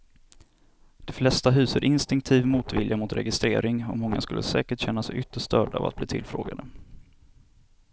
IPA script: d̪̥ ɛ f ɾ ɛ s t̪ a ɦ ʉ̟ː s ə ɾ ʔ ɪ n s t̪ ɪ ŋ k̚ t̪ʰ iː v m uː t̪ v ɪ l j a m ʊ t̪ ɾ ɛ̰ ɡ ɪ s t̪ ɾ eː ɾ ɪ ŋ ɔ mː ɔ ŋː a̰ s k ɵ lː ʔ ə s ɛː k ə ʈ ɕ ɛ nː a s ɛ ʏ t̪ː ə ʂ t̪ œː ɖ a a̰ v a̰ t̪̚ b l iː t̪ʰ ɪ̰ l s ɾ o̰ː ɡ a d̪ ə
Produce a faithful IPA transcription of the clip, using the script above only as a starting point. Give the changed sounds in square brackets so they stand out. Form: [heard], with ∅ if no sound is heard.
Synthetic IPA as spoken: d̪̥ ɛ f [l] ɛ s t̪ a ɦ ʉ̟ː s ə ɾ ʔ ɪ n s t̪ ɪ ŋ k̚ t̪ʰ iː v m uː t̪ v ɪ l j a m ʊ t̪ ɾ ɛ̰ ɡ ɪ s t̪ ɾ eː ɾ ɪ ŋ ɔ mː ɔ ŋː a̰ s k ɵ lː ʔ ə s ɛː k ə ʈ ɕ ɛ nː a s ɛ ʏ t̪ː ə ʂ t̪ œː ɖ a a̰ v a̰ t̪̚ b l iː t̪ʰ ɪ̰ l [f] ɾ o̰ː ɡ a d̪ ə